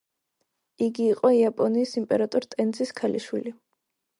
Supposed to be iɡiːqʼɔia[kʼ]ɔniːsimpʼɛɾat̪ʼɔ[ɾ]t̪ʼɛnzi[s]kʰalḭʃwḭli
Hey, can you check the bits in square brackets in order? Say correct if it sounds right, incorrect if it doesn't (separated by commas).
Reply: incorrect, correct, correct